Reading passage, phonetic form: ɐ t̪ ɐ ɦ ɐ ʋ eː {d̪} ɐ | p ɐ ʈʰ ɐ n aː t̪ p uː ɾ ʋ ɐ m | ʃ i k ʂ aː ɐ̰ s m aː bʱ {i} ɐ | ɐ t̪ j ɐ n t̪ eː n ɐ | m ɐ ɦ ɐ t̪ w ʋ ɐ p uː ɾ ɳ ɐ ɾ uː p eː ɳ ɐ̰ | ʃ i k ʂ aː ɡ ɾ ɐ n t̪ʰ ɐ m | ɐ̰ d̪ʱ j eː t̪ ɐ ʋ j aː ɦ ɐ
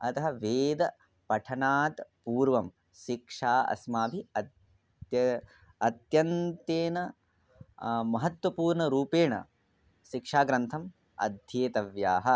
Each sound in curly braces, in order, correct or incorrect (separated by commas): correct, correct